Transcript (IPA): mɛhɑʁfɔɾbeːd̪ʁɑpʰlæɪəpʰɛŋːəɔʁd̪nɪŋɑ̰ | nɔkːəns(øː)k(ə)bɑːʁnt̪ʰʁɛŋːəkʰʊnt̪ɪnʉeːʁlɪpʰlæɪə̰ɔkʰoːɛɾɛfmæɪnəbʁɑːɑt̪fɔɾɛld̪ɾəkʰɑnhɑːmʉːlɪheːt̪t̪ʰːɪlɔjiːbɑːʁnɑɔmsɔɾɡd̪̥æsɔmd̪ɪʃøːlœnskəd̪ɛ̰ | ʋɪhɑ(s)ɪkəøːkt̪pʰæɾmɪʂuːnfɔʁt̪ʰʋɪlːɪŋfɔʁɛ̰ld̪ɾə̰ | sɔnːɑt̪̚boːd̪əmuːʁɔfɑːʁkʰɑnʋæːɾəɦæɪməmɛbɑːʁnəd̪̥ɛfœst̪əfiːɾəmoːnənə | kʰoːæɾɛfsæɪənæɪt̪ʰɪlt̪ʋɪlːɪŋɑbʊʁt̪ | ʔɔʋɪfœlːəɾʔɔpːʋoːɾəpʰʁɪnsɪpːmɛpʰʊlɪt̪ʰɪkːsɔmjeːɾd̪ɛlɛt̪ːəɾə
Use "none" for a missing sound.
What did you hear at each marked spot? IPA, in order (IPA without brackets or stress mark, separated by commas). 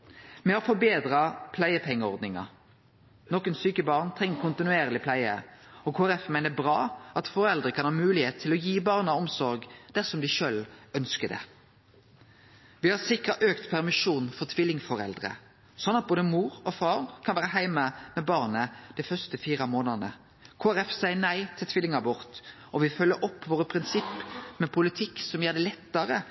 yː, ə, s